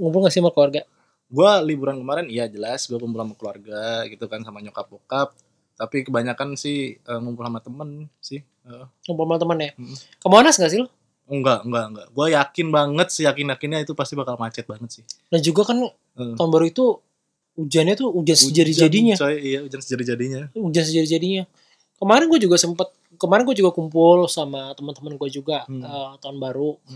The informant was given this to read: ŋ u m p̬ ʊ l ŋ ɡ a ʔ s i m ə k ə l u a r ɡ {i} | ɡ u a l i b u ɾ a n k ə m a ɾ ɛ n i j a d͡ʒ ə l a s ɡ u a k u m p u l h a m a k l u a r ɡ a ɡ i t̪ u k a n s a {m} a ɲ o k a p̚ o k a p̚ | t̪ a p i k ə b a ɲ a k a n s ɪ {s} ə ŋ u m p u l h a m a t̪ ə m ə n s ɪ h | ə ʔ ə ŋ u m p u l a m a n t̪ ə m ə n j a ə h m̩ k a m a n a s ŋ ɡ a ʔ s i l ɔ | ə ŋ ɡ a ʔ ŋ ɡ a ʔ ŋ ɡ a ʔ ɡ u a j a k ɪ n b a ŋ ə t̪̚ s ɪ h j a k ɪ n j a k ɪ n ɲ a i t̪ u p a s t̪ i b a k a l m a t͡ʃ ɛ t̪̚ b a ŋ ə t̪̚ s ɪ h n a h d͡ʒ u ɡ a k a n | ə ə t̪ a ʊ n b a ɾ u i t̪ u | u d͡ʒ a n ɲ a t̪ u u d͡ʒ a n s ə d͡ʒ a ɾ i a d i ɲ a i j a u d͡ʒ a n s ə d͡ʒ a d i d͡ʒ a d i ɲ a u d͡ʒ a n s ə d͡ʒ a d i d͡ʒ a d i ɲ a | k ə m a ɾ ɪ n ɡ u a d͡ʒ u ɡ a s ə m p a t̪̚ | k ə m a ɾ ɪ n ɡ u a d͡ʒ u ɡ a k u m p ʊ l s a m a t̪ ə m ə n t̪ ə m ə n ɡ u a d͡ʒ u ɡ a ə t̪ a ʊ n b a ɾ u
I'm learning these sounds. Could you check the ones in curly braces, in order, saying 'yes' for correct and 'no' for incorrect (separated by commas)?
no, yes, no